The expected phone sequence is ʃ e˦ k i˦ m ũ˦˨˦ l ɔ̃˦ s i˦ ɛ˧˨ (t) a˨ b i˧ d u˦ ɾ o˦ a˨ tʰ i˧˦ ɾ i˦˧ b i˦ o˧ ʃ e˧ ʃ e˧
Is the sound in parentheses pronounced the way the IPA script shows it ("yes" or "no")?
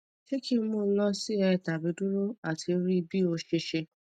yes